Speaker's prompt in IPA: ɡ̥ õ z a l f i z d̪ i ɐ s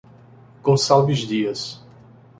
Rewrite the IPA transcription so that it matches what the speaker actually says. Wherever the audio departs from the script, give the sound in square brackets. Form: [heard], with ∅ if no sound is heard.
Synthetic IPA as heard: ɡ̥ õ [s] a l [v] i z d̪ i ɐ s

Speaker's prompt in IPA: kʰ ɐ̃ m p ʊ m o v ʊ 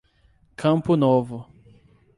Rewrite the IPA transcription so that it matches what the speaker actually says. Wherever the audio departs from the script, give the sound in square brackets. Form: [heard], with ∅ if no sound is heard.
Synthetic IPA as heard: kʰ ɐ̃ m p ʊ [n] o v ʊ

